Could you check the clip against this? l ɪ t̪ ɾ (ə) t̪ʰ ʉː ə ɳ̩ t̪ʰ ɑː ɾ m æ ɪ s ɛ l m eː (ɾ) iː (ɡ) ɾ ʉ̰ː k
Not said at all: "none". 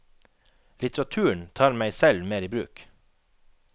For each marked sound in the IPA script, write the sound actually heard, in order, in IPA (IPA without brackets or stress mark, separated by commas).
ɑ, ɾ, b